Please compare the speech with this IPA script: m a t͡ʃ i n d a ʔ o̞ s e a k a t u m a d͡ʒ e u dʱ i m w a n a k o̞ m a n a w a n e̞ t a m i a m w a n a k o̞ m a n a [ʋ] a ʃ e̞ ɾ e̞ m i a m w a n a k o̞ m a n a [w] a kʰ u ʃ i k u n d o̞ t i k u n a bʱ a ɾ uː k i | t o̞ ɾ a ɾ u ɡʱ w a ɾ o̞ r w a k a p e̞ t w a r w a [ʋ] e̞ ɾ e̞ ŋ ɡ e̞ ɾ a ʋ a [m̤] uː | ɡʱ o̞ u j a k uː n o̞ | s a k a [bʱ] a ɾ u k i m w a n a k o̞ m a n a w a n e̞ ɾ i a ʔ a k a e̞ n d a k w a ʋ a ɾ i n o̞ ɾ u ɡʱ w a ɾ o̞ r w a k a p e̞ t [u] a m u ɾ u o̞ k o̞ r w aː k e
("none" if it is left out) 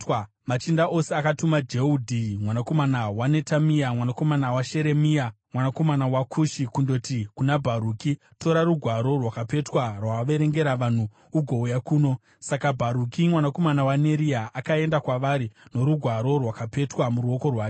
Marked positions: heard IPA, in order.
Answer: w, w, ʋ, n̤, bʱ, w

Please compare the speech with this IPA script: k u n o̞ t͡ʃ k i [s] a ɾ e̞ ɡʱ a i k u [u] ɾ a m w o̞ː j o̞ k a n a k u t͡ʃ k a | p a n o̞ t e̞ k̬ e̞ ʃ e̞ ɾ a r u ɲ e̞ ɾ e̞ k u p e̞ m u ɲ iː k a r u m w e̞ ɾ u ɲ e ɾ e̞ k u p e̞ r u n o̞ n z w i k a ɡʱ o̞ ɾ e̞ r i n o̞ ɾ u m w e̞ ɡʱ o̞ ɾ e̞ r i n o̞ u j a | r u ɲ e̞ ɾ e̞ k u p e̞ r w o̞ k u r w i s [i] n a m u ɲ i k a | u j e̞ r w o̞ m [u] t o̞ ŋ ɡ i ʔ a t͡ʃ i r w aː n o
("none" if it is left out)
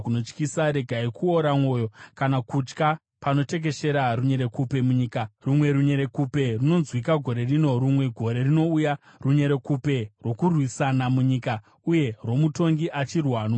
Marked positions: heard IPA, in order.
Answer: s, o, a, u

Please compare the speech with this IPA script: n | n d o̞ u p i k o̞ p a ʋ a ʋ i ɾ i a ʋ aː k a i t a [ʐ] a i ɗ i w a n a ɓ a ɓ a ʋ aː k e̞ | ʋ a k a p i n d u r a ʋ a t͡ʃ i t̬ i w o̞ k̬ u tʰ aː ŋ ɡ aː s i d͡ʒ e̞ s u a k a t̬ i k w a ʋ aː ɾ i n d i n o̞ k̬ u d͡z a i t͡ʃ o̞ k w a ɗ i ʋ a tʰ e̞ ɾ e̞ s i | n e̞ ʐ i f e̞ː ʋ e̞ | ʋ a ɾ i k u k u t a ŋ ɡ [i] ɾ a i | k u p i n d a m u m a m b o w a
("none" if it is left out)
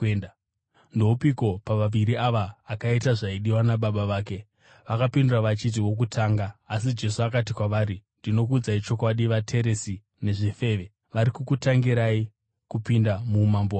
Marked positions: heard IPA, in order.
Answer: ʐ, i

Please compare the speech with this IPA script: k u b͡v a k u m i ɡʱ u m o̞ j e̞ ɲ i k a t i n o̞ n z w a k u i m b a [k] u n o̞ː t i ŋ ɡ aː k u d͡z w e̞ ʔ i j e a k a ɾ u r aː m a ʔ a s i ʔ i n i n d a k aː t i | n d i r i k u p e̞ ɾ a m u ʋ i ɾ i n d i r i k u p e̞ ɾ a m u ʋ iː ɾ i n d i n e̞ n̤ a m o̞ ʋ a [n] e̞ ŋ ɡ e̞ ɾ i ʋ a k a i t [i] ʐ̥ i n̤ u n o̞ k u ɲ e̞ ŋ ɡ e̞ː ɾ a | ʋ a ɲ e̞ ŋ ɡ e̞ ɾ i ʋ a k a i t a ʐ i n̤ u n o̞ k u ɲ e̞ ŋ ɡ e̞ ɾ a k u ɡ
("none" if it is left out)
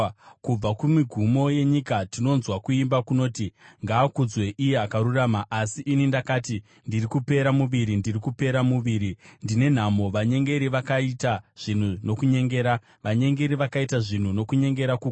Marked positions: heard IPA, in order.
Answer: k, ɲ, a

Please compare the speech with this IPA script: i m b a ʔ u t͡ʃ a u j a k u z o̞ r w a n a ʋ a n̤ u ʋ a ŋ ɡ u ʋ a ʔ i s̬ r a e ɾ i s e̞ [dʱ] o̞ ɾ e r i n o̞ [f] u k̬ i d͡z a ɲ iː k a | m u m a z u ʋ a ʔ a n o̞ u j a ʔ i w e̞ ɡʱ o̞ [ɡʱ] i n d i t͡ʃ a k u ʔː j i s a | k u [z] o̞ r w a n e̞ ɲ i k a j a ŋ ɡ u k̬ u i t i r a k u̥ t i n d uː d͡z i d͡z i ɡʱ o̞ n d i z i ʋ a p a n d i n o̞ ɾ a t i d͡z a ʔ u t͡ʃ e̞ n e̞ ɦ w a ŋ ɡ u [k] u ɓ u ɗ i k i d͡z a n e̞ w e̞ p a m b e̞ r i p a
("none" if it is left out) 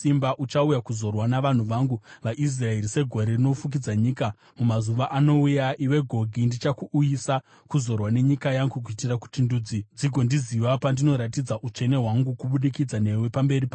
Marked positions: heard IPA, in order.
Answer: ɡʱ, f, ɡʱ, z, k

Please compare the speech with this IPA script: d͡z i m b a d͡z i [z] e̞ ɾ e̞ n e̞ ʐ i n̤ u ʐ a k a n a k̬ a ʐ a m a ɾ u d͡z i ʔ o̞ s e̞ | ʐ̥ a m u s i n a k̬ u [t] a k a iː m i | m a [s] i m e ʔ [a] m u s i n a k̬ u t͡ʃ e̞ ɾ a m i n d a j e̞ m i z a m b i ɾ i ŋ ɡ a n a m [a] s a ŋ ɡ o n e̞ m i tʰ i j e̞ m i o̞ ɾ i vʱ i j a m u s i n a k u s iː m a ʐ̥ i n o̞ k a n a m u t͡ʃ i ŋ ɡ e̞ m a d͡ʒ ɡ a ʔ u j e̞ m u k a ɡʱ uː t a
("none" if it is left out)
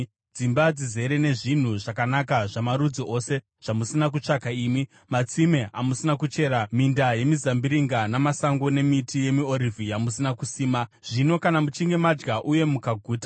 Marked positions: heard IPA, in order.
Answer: z, t͡ʂ, t͡s, a, a

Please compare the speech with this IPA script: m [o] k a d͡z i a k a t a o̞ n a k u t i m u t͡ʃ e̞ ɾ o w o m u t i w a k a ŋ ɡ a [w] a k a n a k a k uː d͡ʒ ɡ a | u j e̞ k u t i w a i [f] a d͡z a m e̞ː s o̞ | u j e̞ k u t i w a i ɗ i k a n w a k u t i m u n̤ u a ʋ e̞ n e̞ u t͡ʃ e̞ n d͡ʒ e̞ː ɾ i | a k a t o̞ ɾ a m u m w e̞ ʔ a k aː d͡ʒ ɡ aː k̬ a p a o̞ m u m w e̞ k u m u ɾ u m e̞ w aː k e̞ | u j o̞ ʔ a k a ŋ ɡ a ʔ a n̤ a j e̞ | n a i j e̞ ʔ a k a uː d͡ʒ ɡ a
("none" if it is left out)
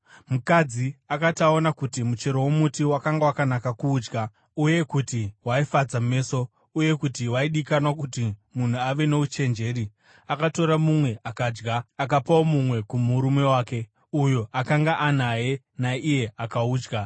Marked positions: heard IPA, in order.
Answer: u, w, f

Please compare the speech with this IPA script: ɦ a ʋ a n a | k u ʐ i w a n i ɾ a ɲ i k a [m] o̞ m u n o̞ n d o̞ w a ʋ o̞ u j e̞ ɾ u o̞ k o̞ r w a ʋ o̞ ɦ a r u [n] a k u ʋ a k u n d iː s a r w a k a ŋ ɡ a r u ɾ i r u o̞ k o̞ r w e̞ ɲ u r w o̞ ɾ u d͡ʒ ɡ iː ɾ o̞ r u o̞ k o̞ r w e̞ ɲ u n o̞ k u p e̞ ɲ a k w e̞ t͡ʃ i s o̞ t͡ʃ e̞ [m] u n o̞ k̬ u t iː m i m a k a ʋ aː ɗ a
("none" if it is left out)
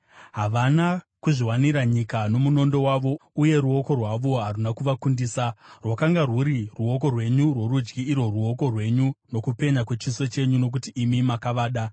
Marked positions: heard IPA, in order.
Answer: n, n, ɲ

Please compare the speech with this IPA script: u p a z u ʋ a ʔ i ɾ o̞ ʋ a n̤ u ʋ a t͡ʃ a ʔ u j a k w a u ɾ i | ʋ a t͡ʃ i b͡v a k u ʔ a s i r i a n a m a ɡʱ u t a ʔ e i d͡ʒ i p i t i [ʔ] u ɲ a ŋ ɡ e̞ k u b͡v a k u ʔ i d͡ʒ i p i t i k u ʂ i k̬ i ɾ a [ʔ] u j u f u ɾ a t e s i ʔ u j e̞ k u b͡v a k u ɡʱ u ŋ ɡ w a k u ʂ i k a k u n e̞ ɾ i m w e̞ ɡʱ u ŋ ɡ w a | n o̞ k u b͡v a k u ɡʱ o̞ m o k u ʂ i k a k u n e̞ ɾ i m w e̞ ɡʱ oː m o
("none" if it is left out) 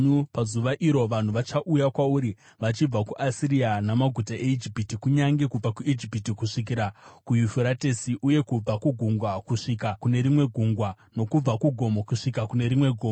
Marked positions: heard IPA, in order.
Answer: k, k

